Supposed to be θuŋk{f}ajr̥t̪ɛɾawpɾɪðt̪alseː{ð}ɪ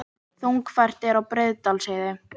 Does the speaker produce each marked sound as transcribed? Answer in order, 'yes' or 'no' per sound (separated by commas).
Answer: yes, yes